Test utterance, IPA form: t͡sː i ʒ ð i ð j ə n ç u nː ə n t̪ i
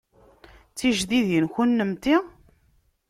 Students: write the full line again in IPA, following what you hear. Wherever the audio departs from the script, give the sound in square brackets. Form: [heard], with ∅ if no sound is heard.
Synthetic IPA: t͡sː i ʒ ð i ð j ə n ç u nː ə [m] t̪ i